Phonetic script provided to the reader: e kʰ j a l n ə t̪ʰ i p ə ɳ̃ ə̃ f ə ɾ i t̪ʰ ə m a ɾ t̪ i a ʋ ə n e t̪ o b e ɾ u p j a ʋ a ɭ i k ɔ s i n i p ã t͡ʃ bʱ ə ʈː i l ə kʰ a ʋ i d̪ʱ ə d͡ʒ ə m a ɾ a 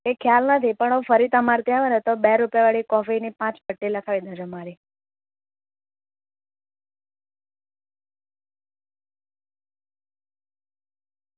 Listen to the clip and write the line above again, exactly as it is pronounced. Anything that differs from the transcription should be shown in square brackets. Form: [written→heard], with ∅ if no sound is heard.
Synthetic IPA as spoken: e kʰ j a l n ə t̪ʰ i p ə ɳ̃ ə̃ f ə ɾ i [t̪ʰ→t̪] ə m a ɾ t̪ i a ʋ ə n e t̪ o b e ɾ u p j a ʋ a ɭ i k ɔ [s→f] i n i p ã t͡ʃ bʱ ə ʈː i l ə kʰ a ʋ i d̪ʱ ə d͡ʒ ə m a ɾ [a→i]